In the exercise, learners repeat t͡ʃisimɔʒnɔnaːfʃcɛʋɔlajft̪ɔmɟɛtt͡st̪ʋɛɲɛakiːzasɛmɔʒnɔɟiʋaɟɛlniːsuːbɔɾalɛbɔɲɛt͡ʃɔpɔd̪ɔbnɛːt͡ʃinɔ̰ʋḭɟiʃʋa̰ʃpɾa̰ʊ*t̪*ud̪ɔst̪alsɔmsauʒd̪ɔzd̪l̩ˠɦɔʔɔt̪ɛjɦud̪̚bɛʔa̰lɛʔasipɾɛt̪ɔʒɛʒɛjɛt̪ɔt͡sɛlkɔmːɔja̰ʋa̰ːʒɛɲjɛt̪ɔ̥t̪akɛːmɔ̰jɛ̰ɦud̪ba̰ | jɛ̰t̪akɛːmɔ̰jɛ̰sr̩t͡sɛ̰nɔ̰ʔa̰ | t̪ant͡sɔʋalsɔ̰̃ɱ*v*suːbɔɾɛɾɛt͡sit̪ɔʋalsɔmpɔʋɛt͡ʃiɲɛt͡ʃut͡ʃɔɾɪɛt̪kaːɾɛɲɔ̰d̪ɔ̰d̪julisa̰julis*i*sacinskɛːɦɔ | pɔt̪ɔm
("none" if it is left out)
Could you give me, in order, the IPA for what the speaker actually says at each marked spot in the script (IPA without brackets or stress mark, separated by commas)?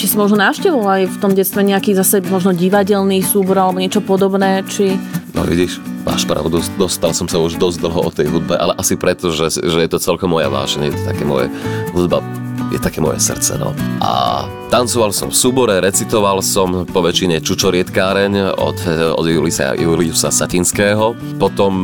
d̪, f, a